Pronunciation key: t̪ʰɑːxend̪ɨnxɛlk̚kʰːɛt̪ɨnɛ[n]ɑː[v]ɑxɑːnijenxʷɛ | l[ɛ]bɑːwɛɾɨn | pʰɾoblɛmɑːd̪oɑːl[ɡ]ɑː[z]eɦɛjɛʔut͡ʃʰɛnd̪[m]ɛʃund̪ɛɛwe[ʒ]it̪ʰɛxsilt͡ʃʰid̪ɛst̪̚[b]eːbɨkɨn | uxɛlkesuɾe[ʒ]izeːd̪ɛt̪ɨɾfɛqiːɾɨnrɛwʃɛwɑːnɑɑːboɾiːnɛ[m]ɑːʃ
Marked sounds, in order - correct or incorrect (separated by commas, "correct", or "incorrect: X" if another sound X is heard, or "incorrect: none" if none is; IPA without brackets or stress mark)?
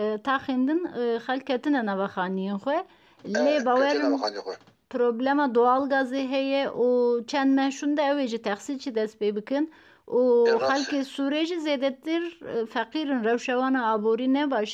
correct, correct, incorrect: e, correct, correct, correct, correct, incorrect: p, correct, incorrect: b